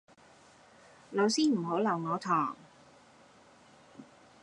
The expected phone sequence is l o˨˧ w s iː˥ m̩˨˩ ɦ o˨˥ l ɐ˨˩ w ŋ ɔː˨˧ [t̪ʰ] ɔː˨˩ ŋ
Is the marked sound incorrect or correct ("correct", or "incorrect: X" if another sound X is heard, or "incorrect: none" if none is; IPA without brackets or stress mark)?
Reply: correct